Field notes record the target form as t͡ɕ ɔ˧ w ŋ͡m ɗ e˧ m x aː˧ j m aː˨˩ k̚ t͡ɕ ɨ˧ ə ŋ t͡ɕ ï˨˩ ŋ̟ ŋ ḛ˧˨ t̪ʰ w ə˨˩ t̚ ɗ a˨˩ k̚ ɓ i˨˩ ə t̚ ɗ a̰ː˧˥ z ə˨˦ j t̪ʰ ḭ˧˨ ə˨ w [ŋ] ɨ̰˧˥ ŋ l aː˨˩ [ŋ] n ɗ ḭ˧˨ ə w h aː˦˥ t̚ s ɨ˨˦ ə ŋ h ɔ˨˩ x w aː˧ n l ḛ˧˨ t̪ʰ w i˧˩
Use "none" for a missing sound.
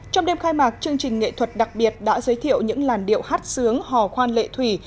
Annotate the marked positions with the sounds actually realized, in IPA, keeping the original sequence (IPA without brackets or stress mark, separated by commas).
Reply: ɲ, none